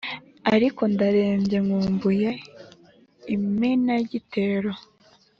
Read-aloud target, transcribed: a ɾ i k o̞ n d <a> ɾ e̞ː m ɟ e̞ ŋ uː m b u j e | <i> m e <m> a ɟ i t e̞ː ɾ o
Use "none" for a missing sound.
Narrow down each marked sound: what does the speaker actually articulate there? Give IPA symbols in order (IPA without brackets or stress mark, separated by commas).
a, i, n